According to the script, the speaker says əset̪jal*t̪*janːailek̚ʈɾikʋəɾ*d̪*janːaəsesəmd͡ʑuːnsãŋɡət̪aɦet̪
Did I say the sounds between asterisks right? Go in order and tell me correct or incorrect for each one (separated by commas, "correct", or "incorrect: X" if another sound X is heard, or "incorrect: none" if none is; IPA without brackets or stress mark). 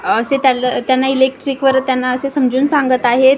correct, incorrect: t̪